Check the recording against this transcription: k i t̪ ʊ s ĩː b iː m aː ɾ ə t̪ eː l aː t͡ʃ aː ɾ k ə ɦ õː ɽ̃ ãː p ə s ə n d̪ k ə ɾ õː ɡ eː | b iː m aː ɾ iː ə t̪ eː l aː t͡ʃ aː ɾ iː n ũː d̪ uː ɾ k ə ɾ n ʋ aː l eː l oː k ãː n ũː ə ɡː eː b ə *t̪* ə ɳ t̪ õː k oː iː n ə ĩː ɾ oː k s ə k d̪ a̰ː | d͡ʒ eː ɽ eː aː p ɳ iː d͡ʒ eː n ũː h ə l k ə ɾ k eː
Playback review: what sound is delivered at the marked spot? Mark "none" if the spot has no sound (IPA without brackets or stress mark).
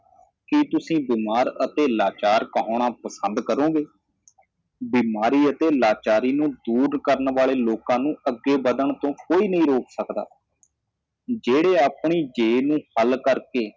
d̪